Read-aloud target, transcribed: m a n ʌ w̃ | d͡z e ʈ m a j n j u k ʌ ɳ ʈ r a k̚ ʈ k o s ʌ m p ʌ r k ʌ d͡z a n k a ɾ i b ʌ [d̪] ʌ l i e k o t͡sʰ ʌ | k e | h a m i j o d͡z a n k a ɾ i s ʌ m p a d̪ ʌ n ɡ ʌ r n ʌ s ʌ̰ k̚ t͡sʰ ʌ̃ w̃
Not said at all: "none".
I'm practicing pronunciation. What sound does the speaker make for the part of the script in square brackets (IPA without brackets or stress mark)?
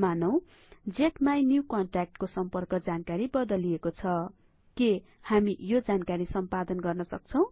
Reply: d̪